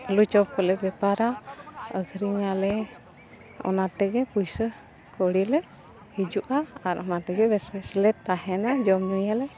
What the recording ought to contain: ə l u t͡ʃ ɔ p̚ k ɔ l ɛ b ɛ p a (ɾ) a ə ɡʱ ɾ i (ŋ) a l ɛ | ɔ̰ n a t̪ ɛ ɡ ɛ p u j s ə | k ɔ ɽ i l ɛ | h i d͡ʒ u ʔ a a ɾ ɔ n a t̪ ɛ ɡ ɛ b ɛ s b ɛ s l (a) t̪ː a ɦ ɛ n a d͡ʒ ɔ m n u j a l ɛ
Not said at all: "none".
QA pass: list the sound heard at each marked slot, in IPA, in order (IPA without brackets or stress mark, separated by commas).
ɾ, ŋ, ɛ